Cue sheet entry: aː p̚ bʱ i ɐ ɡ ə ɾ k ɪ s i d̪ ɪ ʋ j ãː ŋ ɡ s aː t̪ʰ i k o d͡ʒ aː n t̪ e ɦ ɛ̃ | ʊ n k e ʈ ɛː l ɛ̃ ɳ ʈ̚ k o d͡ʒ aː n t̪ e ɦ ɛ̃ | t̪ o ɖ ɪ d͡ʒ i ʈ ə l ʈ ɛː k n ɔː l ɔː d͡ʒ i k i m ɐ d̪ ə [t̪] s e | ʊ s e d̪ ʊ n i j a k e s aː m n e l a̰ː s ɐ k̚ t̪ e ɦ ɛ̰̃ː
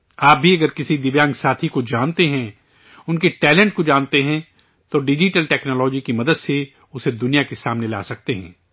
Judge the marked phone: incorrect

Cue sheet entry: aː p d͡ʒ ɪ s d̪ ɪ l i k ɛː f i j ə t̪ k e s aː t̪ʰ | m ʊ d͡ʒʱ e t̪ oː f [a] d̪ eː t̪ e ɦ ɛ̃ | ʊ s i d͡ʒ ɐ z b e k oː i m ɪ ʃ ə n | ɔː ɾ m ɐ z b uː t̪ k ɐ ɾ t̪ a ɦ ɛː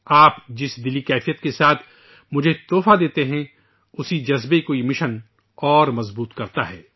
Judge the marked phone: correct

